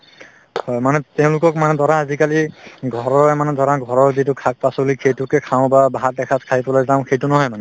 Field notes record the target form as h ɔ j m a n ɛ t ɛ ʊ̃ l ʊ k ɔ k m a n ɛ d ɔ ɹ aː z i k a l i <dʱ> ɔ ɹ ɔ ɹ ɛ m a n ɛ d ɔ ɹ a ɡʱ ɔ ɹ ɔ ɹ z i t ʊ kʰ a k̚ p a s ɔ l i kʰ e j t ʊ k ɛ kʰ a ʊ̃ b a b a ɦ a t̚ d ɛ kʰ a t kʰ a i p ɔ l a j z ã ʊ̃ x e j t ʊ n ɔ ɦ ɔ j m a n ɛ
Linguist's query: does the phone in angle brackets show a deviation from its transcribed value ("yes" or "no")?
yes